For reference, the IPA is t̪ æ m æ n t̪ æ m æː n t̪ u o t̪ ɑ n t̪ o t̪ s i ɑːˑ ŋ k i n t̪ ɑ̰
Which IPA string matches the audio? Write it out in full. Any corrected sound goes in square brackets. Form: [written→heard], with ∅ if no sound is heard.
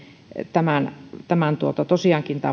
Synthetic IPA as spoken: t̪ æ m æ n t̪ æ m [æː→æ] n t̪ u o t̪ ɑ [n→∅] t̪ o [t̪→∅] s i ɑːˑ ŋ k i n t̪ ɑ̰